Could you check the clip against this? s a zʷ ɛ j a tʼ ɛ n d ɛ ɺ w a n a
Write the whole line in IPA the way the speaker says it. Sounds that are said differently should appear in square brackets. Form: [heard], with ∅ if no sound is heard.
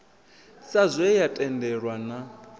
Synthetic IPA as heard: s a zʷ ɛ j a tʼ ɛ n d ɛ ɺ w a n a